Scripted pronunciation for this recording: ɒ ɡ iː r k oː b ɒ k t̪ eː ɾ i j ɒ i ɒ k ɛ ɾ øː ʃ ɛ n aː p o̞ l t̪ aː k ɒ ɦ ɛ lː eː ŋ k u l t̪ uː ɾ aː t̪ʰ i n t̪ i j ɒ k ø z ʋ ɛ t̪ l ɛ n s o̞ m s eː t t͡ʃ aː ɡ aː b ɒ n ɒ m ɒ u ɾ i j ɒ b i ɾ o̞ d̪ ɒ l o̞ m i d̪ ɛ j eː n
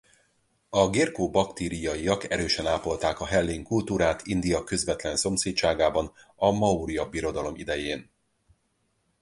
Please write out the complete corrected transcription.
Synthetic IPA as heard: ɒ ɡ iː r k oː b ɒ k t̪ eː ɾ i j ɒ i ɒ k ɛ ɾ øː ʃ ɛ n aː p o̞ l t̪ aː k ɒ ɦ ɛ lː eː ŋ k u l t̪ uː ɾ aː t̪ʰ i n d̪ i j ɒ k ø z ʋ ɛ t̪ l ɛ n s o̞ m s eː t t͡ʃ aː ɡ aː b ɒ n ɒ m ɒ u ɾ i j ɒ b i ɾ o̞ d̪ ɒ l o̞ m i d̪ ɛ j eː n